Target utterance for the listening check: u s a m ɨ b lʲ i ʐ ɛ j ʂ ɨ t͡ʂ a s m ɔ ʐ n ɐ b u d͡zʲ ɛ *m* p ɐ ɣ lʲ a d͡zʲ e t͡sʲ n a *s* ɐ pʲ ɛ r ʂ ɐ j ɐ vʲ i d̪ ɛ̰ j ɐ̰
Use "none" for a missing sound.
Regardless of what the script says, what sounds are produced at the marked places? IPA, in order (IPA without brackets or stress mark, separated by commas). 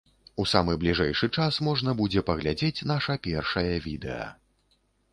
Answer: none, ʂ